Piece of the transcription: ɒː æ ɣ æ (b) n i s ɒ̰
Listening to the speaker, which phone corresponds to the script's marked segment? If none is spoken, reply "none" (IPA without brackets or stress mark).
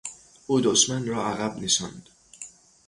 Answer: b